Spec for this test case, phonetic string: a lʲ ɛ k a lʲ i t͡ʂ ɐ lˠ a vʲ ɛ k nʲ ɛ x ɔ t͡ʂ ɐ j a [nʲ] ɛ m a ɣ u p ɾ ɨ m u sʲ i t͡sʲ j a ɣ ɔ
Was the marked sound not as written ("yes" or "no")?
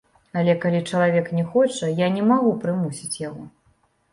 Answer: no